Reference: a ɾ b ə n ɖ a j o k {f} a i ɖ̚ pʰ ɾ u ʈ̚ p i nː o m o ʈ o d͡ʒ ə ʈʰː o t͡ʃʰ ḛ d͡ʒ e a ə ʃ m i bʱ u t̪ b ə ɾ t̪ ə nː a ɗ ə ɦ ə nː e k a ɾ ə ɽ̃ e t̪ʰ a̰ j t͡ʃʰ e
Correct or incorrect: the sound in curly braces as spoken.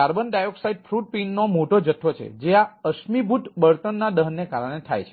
incorrect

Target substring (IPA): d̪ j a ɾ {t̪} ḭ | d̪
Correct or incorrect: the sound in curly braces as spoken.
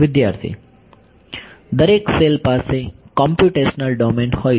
incorrect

